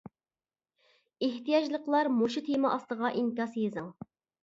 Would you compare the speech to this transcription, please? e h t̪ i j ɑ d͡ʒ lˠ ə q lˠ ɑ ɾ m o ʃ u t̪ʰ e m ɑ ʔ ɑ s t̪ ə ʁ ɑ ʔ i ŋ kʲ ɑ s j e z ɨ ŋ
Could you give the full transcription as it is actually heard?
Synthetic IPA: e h t̪ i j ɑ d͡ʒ lˠ ə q lˠ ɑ ɾ m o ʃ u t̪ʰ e m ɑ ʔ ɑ s t̪ ə ʁ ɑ ʔ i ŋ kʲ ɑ s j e z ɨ ŋ